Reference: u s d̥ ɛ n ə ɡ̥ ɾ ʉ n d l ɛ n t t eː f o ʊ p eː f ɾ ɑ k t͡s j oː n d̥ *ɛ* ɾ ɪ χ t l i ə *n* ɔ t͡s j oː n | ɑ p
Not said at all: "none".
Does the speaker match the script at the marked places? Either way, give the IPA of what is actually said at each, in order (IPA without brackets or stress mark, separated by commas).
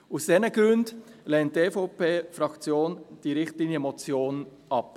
i, m